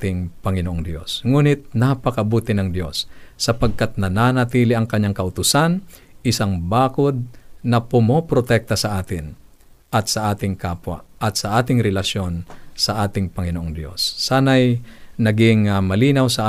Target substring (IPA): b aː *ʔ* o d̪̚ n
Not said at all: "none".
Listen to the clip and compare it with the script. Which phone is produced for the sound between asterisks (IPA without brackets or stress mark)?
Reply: k